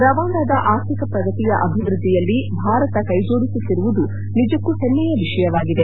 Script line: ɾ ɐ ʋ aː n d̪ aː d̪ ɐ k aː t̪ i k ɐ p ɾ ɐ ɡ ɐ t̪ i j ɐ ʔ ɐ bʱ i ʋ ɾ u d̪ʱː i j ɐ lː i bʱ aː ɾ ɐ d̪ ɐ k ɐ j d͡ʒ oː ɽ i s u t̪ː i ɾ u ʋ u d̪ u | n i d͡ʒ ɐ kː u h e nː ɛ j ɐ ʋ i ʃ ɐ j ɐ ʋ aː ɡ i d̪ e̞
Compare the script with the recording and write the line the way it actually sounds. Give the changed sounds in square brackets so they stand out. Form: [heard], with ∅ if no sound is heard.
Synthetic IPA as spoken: ɾ ɐ ʋ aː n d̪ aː d̪ ɐ [ʔ] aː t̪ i k ɐ p ɾ ɐ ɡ ɐ t̪ i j ɐ ʔ ɐ bʱ i ʋ ɾ u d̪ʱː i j ɐ lː i bʱ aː ɾ ɐ [t̪] ɐ k ɐ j d͡ʒ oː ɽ i s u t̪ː i ɾ u ʋ u d̪ u | n i d͡ʒ ɐ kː u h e nː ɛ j ɐ ʋ i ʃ ɐ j ɐ ʋ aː ɡ i d̪ e̞